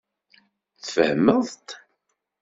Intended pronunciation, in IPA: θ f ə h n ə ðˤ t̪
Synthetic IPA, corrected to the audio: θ f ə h m ə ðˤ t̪